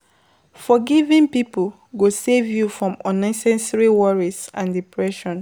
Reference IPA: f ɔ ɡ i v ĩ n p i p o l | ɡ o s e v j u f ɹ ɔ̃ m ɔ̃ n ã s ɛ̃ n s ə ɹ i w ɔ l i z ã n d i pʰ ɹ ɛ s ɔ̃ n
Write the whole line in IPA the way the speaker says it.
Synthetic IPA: f ɔ ɡ i v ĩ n p i p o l | ɡ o s e v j u f ɹ ɔ̃ m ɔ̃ n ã s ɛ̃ n s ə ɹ i w ɔ ɹ i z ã n d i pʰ ɹ ɛ ʃ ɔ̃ n